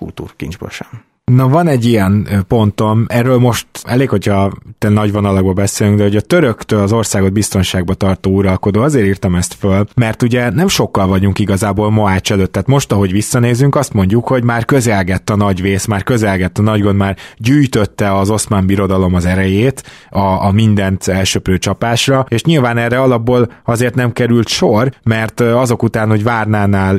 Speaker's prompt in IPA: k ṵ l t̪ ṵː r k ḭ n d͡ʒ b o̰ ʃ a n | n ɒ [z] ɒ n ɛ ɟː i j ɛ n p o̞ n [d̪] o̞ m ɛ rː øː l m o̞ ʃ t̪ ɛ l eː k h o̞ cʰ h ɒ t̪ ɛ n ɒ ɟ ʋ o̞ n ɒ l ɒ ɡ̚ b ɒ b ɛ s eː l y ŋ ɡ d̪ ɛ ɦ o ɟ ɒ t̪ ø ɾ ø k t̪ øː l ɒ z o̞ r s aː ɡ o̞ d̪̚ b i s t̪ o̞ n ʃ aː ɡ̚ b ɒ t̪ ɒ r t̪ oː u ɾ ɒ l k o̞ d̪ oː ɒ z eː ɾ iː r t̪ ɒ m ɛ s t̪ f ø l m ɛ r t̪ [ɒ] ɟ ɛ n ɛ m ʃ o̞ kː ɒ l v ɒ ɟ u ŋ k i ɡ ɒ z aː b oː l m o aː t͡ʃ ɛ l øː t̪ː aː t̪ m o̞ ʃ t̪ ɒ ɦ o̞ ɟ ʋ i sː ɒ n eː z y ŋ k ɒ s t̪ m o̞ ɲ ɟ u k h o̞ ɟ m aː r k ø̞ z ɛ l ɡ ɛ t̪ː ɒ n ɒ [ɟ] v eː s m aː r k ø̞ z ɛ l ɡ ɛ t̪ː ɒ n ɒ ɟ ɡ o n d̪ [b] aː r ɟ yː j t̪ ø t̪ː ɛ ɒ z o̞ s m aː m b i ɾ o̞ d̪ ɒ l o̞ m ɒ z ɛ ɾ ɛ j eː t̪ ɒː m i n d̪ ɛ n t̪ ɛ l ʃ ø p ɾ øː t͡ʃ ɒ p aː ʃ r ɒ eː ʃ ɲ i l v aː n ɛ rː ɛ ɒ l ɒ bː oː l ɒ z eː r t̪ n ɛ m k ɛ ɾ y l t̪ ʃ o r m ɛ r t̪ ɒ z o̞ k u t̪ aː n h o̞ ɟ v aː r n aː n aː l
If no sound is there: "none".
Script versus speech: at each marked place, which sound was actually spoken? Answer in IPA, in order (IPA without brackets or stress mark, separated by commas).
v, t̪, u, ɟ, m